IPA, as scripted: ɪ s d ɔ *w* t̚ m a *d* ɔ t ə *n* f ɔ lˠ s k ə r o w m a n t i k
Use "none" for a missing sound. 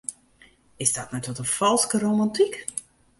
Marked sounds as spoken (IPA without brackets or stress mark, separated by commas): none, t, n